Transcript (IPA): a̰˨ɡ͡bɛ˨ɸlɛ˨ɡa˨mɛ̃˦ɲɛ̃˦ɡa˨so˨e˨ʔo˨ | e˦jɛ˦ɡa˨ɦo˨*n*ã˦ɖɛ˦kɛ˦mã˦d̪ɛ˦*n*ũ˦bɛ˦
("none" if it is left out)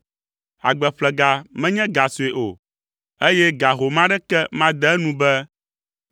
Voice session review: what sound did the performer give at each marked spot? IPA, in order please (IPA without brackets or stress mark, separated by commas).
m, n